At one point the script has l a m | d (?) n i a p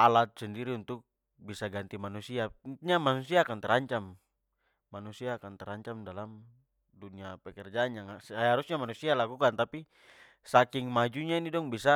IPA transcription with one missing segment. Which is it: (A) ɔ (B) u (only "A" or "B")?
B